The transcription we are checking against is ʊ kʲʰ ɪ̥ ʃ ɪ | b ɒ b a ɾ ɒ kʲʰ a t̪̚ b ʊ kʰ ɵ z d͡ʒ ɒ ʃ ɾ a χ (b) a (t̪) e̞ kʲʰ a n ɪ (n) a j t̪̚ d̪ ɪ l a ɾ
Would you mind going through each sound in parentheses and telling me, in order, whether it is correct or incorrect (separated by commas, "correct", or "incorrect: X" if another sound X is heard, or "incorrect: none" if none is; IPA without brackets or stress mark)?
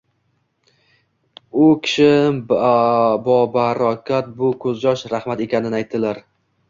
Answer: incorrect: m, correct, correct